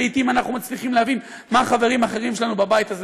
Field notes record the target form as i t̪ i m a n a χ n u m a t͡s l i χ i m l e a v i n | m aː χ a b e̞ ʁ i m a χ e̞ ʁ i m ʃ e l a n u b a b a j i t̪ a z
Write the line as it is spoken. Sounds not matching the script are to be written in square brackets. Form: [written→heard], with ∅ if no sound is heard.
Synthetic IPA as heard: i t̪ i m a n a χ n u m a t͡s l i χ i m l e a v i n | m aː χ a [b→v] e̞ ʁ i m a χ e̞ ʁ i m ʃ e l a n u b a b a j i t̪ a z

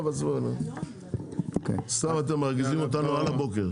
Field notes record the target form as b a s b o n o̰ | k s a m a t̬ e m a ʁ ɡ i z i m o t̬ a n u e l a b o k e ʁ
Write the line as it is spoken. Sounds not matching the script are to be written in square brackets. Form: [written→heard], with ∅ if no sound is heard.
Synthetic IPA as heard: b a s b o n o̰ | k s a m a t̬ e m a ʁ ɡ i z i m o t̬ a n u [e→a] l a b o k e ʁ

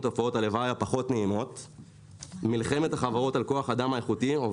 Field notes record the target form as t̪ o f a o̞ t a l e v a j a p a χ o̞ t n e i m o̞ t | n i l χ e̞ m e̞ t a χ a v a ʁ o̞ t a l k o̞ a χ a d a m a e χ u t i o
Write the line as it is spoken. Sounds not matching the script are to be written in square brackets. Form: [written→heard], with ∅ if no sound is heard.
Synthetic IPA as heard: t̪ o f a o̞ t a l e v a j a p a χ o̞ t n e i m o̞ t | [n→m] i l χ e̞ m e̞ t a χ a v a ʁ o̞ t a l k o̞ a χ a d a m a e χ u t i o

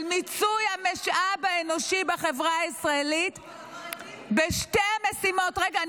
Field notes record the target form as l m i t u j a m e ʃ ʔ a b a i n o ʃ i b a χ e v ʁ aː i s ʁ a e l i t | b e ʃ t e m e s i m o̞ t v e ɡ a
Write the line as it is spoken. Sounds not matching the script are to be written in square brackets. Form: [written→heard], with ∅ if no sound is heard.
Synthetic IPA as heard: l m i [t→t͡s] u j a m e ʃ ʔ a b a [i→e] n o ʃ i b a χ e v ʁ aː i s ʁ a e l i t | b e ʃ t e m e s i m o̞ t [v→ʁ] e ɡ a

